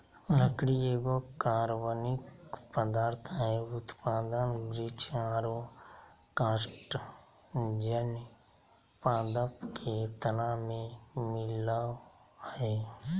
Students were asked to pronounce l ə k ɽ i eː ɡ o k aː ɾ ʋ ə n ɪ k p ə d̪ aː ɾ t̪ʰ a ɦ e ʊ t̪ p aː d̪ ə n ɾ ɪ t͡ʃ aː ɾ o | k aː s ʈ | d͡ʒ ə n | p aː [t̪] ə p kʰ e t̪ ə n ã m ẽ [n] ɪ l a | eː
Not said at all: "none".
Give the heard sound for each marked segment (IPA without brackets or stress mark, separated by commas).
d̪, m